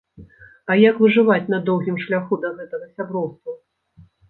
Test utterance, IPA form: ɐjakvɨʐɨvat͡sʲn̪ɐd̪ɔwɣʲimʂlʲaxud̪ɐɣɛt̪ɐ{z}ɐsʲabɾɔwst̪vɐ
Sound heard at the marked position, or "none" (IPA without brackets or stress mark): ɣ